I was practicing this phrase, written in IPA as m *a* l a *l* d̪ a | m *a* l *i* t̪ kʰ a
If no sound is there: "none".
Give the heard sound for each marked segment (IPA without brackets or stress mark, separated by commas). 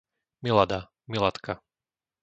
i, none, i, a